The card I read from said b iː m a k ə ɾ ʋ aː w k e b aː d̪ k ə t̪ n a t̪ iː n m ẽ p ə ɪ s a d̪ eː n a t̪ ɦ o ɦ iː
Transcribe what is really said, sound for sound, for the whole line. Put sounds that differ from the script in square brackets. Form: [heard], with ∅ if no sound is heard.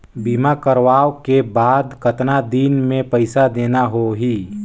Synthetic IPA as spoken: b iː m a k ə ɾ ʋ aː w k e b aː d̪ k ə t̪ n a [d̪] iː n m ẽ p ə ɪ s a d̪ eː n a [∅] ɦ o ɦ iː